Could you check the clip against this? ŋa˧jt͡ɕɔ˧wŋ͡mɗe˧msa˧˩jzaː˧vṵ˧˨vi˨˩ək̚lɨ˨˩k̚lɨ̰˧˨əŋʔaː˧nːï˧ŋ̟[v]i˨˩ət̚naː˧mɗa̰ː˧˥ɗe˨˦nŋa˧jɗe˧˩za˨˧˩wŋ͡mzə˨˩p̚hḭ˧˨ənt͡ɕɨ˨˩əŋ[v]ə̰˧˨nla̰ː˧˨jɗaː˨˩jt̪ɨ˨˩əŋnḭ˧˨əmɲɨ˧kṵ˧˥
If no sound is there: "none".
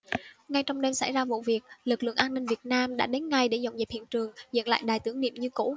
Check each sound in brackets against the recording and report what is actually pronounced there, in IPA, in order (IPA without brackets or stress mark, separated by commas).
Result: v, z